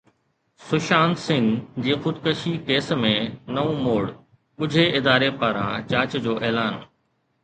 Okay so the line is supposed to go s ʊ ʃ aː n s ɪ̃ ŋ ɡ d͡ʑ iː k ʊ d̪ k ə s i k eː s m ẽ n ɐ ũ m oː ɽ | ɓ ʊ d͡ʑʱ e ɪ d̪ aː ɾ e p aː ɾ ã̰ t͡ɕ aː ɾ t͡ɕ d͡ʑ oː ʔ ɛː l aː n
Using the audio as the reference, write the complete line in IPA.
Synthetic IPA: s ʊ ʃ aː n s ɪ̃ ŋ ɡ d͡ʑ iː x ʊ d̪ k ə ʃ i k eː s m ẽ n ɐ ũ m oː ɽ | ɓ ʊ d͡ʑʱ e ɪ d̪ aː ɾ e p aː ɾ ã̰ t͡ɕ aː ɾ t͡ɕ d͡ʑ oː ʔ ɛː l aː n

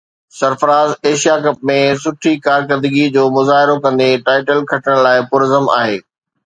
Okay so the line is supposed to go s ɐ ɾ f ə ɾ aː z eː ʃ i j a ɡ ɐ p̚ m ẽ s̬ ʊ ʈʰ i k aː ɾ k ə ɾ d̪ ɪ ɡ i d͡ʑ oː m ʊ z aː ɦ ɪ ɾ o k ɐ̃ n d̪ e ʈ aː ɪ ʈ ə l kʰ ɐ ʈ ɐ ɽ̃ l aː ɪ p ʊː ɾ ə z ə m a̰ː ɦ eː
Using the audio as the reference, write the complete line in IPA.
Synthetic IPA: s ɐ ɾ f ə ɾ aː z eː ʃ i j a k ɐ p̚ m ẽ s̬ ʊ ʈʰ i k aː ɾ k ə ɾ d̪ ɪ ɡ i d͡ʑ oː m ʊ z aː ɦ ɪ ɾ o k ɐ̃ n d̪ e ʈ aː ɪ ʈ ə l kʰ ɐ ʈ ə ɽ̃ l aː ɪ p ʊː ɾ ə z ə m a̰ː ɦ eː

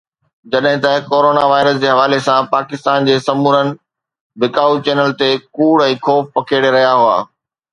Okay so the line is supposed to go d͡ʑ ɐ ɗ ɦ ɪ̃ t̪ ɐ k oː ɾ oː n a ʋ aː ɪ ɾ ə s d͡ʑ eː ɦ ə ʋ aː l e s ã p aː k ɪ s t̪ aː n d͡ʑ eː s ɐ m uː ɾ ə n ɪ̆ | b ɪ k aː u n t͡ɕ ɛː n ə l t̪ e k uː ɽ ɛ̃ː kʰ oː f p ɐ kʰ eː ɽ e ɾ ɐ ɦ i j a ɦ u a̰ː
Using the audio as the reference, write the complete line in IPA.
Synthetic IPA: d͡ʑ ɐ ɗ ɦ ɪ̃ t̪ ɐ k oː ɾ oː n a ʋ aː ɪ ɾ ə s d͡ʑ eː ɦ ɐ ʋ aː l e s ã p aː k ɪ s t̪ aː n d͡ʑ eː s ɐ m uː ɾ ə n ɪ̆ | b ɪ k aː u t͡ɕ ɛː n ə l t̪ e k uː ɽ ɛ̃ː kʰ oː f p ɐ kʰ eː ɽ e ɾ ɐ ɦ i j a ɦ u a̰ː

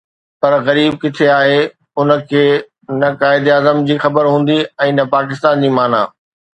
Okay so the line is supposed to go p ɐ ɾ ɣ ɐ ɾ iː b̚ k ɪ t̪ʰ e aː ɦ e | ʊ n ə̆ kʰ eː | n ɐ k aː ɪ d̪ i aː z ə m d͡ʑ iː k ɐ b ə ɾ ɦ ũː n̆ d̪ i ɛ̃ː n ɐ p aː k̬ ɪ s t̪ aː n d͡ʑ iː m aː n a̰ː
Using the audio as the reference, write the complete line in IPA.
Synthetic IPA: p ɐ ɾ ɣ ɐ ɾ iː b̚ k ɪ t̪ʰ e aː ɦ e | ʊ n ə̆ kʰ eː | n ɐ k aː ɪ d̪ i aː z ə m d͡ʑ iː x ɐ b ə ɾ ɦ ũː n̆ d̪ i ɛ̃ː n ɐ p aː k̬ ɪ s t̪ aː n d͡ʑ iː m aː n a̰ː

